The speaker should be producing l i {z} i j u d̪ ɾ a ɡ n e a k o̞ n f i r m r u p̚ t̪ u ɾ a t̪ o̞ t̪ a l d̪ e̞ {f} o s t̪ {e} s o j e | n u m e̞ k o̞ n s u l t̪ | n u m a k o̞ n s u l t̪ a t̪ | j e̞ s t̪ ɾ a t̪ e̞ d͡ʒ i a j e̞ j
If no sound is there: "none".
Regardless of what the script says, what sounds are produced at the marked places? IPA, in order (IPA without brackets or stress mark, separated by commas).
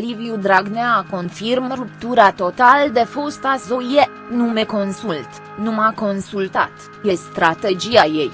v, f, a